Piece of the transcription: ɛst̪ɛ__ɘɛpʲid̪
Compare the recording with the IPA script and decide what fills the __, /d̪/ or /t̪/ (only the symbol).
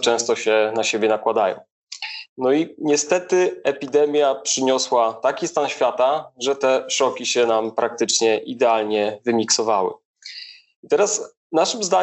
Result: t̪